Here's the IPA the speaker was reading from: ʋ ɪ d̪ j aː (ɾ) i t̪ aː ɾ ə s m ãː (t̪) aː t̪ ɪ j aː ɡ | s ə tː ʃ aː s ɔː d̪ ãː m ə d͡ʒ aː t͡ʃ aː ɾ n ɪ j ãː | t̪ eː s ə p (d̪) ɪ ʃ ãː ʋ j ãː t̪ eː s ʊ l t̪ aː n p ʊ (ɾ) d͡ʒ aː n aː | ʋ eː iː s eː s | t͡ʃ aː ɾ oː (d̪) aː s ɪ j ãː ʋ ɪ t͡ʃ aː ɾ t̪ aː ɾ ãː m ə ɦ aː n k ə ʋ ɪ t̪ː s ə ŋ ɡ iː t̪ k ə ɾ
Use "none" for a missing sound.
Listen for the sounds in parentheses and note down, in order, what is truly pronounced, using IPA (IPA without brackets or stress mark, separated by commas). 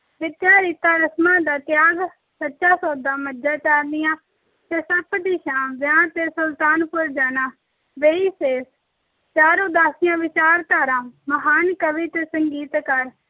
ɾ, d̪, d̪, ɾ, d̪